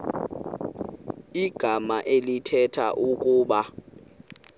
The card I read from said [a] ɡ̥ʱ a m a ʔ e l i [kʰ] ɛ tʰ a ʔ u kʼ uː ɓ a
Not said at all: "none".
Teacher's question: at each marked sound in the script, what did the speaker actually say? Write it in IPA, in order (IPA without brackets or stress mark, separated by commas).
i, tʰ